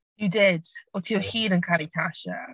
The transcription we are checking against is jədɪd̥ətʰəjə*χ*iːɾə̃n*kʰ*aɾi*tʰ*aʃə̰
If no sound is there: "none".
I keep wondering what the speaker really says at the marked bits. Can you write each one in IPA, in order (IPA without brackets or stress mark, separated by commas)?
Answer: h, kʰ, tʰ